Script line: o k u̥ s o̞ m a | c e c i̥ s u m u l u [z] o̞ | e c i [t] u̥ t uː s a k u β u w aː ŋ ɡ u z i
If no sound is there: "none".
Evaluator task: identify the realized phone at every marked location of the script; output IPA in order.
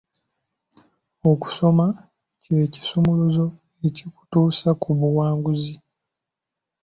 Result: z, k

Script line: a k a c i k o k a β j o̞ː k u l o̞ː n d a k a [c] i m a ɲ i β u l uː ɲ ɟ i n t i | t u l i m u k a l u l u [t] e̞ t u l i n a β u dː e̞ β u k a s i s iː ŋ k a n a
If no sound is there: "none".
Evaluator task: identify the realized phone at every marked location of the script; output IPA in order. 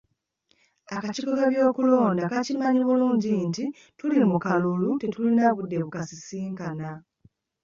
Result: c, t

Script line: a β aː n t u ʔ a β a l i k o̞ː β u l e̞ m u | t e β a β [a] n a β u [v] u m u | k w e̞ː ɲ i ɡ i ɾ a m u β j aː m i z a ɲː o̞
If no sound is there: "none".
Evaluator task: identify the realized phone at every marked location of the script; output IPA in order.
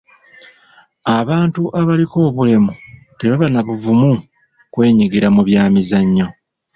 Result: a, v

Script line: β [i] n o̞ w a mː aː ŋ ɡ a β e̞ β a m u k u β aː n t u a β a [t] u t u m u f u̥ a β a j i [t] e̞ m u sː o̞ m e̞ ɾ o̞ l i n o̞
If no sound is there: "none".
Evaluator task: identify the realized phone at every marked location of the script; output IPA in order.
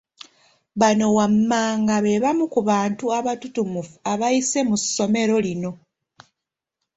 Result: a, t, s

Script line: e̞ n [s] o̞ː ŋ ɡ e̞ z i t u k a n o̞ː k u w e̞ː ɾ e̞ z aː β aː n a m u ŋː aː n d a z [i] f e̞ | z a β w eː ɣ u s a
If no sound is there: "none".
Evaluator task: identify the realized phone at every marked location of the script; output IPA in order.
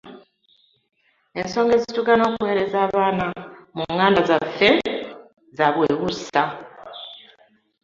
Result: s, a

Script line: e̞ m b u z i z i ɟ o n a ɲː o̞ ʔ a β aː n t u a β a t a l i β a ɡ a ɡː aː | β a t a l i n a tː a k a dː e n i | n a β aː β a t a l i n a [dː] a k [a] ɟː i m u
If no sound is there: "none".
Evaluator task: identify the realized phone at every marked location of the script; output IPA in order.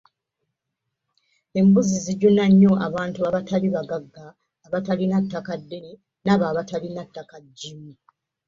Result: tː, a

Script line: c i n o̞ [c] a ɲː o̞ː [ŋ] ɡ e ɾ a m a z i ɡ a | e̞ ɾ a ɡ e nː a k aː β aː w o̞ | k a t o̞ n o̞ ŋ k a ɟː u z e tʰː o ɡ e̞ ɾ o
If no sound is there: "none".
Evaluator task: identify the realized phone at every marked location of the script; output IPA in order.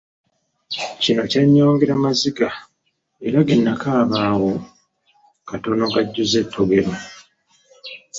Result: c, ŋ

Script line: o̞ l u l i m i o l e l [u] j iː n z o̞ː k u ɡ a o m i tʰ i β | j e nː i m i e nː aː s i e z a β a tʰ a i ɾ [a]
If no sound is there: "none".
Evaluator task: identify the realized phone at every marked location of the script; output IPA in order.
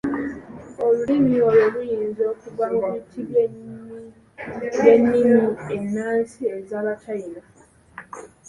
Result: u, a

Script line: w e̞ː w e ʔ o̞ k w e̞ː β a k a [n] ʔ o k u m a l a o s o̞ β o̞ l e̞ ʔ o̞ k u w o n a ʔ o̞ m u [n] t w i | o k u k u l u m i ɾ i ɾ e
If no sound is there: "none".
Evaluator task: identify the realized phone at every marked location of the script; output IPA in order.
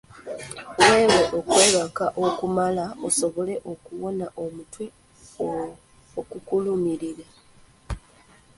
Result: none, none

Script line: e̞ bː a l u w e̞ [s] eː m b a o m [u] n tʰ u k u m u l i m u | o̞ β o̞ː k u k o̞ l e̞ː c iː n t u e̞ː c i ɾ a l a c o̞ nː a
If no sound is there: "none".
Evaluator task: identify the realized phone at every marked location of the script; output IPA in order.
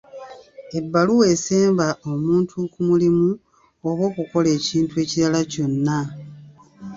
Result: s, uː

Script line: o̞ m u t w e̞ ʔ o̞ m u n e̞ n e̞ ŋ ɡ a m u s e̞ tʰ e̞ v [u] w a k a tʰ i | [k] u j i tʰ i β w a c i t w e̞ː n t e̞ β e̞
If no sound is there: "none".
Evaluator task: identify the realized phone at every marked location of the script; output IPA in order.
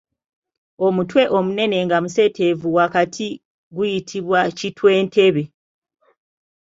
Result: u, ɡ

